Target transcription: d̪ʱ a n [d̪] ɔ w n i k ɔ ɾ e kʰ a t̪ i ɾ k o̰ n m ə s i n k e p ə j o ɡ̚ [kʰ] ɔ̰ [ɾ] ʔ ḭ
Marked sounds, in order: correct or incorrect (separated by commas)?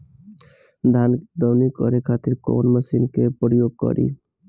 correct, incorrect, correct